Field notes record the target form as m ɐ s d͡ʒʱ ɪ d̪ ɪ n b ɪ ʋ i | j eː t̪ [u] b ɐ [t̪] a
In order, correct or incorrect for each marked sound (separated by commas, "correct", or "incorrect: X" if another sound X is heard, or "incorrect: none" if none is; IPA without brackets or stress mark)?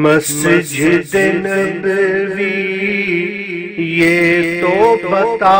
incorrect: o, correct